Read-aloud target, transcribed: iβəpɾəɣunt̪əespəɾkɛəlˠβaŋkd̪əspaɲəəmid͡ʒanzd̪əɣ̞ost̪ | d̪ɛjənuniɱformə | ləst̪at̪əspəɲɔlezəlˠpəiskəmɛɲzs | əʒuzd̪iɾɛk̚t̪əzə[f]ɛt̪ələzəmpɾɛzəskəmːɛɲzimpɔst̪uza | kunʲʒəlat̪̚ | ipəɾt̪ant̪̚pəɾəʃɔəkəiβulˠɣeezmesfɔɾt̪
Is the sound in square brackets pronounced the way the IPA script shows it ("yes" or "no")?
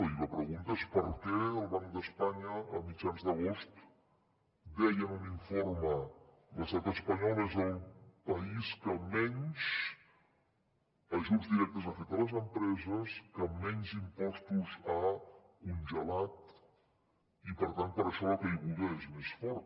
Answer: yes